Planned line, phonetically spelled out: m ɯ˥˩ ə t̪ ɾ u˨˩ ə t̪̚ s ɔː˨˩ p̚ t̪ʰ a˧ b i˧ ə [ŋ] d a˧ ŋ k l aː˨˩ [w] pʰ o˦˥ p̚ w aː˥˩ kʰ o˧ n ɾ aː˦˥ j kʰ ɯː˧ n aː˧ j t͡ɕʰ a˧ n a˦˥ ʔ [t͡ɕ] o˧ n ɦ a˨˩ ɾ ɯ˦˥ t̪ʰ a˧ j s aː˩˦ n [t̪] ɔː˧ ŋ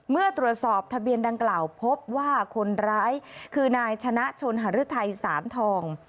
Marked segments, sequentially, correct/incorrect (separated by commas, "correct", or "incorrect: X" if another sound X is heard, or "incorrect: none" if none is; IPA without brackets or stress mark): incorrect: n, correct, incorrect: t͡ɕʰ, incorrect: t̪ʰ